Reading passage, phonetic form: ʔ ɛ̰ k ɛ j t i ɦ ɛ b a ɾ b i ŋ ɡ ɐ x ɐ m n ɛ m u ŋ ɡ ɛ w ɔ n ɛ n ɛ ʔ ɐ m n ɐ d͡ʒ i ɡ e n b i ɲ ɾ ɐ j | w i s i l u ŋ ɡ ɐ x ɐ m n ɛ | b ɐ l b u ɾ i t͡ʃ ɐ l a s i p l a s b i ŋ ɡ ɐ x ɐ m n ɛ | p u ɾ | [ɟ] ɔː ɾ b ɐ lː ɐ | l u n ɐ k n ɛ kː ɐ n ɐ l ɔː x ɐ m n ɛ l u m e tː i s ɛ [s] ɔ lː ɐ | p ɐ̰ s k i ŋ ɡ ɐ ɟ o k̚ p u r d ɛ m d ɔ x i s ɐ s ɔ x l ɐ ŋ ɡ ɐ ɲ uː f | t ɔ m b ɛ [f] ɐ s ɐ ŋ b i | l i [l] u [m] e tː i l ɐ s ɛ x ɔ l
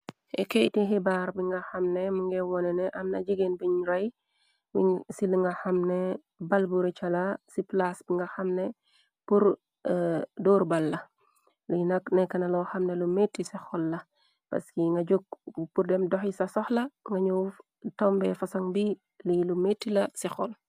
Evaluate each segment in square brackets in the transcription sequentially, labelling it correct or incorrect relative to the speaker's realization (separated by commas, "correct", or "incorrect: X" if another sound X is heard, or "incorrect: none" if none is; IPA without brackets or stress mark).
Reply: incorrect: d, incorrect: x, correct, correct, correct